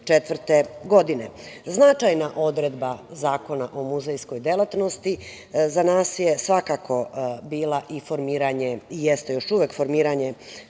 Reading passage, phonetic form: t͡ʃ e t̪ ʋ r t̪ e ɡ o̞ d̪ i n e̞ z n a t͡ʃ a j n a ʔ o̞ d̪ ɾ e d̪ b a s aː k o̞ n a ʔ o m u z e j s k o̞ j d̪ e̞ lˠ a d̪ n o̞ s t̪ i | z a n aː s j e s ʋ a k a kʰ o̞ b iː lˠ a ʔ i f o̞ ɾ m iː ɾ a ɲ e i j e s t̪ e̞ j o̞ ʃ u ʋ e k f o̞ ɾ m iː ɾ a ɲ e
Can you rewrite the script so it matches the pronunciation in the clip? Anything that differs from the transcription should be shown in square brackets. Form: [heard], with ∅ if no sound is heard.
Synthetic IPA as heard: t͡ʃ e t̪ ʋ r t̪ e ɡ o̞ d̪ i n e̞ z n a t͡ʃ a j n a ʔ o̞ d̪ ɾ e d̪ b a [z] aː k o̞ n a ʔ o m u z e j s k o̞ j d̪ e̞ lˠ a [t̪] n o̞ s t̪ i | z a n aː s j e s ʋ a k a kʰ o̞ b iː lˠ a ʔ i f o̞ ɾ m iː ɾ a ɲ e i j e s t̪ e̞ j o̞ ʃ u ʋ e k f o̞ ɾ m iː ɾ a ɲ e